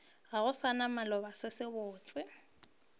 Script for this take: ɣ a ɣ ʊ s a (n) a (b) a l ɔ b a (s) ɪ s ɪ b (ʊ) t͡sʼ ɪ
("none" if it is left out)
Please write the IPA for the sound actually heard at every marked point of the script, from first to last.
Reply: n, m, s, ʊː

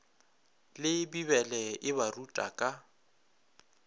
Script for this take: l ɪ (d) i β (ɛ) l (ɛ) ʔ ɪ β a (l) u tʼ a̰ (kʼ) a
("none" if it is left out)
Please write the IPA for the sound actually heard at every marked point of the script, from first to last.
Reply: b, ɛ, ɛ, r, kʼ

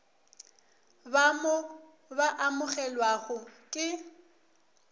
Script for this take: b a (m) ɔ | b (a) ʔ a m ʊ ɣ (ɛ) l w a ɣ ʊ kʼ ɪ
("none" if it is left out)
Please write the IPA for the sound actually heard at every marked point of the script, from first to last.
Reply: m, a, ɛ

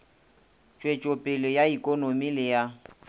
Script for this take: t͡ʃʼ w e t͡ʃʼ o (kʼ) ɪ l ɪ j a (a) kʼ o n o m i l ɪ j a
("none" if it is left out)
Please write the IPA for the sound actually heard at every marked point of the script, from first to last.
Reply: pʼ, i

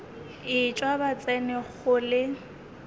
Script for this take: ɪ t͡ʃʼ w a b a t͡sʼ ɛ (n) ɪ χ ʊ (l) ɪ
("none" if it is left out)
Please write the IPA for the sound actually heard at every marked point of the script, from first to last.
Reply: n, l

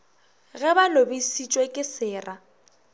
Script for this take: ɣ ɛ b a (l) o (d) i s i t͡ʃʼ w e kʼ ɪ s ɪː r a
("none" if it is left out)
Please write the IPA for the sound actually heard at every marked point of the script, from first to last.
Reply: l, b

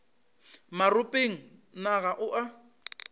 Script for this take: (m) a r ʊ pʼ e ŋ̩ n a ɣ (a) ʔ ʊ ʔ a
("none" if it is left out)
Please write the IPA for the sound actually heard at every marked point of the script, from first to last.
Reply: m, a

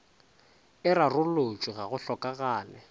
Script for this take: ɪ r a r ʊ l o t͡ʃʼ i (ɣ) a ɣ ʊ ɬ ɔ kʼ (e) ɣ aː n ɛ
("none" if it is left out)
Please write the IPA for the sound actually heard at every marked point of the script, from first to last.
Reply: ɣ, a

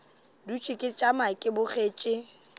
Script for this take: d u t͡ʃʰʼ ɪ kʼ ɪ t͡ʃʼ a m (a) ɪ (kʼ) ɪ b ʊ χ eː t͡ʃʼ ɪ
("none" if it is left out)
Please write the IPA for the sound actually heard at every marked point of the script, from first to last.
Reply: a, kʼ

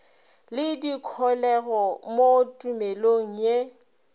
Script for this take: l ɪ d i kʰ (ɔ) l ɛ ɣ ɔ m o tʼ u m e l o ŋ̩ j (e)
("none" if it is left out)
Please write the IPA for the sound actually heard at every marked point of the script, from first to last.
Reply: ɔ, e

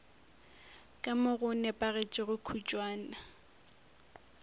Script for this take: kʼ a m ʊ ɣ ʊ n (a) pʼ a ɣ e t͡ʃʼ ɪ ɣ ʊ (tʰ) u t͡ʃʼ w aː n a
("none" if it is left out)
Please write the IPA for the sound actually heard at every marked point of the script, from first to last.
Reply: ɛ, kʰ

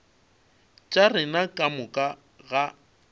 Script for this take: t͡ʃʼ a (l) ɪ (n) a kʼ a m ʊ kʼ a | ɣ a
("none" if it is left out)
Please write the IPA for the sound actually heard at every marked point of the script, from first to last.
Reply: r, n

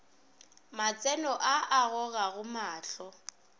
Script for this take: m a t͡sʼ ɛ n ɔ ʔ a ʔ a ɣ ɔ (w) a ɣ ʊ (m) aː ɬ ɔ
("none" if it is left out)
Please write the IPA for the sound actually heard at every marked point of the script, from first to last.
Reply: ɣ, m

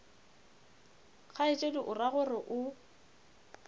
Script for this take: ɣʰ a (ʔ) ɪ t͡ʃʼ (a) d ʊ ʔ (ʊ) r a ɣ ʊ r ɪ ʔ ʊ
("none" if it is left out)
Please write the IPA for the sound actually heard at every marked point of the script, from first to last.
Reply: none, e, ʊ

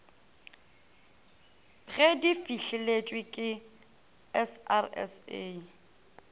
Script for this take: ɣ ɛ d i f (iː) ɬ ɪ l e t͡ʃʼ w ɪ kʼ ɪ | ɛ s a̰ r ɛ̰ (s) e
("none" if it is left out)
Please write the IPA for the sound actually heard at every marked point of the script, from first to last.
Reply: i, s

